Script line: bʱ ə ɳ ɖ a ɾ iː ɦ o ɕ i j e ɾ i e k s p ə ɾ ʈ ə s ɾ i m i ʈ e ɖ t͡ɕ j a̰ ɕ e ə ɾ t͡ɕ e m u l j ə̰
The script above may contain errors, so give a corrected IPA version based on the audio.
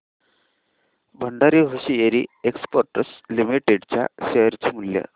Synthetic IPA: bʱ ə ɳ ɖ a ɾ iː ɦ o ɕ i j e ɾ i e k s p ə ɾ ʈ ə s l i m i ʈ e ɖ t͡ɕ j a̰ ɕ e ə ɾ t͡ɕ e m u l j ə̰